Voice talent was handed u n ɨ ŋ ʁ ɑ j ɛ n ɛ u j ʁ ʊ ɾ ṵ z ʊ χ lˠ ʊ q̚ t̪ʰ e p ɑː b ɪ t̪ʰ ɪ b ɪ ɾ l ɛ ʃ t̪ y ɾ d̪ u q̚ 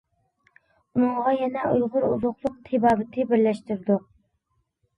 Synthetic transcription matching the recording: u n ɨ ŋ ʁ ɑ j ɛ n ɛ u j ʁ ʊ ɾ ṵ z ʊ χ lˠ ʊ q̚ t̪ʰ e b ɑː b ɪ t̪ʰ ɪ b ɪ ɾ l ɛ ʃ t̪ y ɾ d̪ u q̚